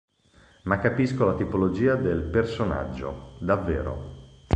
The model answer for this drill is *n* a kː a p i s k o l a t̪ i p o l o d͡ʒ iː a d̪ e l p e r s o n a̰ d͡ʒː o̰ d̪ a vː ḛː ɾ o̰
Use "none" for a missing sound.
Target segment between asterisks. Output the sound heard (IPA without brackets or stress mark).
m